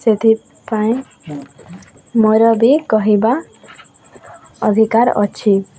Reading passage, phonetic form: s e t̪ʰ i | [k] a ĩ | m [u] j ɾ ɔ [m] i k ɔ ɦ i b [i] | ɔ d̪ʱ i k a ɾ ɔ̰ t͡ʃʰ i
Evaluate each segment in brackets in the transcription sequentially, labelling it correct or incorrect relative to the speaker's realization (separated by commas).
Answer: incorrect, incorrect, incorrect, incorrect